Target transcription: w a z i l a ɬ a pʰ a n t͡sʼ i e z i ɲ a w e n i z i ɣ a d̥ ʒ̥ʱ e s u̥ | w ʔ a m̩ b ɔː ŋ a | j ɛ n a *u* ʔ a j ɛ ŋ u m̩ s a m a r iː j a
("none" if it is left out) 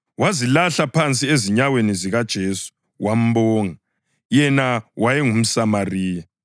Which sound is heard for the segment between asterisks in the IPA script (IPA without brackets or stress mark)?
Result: w